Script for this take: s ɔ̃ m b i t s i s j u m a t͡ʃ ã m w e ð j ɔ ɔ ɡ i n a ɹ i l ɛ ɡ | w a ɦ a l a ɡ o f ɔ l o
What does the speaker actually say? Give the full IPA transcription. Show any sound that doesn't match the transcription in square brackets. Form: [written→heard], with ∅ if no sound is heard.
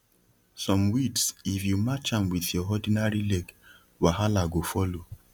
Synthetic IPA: s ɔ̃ m [b→w] i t s i [s→f] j u m a t͡ʃ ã m w [e→i] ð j ɔ ɔ [ɡ→d] i n a ɹ i l ɛ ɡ | w a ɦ a l a ɡ o f ɔ l o